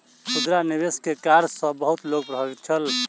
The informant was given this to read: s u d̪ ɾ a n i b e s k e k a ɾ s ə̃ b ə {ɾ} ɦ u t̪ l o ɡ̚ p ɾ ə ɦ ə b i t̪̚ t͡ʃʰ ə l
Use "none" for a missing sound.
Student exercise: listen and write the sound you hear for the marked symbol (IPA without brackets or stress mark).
none